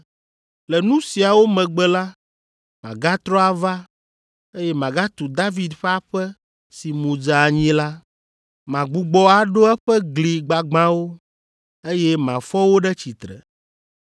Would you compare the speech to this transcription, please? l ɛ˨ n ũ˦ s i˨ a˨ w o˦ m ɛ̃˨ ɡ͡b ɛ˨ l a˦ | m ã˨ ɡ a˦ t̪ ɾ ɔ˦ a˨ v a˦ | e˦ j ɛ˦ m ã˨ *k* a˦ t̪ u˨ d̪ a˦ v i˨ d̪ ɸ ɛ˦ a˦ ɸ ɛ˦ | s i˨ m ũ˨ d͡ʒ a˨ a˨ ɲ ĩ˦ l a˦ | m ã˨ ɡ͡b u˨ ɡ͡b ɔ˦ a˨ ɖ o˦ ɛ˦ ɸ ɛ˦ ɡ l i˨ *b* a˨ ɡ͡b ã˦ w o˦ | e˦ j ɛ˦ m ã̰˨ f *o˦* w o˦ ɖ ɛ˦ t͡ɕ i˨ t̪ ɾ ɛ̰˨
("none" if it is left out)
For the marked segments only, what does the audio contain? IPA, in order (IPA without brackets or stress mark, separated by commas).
ɡ, ɡ͡b, ɔ˦